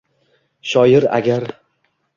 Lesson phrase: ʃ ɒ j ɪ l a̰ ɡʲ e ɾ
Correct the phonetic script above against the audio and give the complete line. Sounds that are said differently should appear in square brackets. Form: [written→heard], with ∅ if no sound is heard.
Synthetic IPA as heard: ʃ ɒ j ɪ [l→ɾ] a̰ ɡʲ [e→a] ɾ